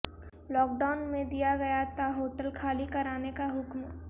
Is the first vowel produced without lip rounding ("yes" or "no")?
no